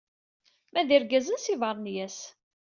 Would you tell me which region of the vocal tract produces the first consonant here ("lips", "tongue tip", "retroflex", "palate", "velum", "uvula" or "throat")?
lips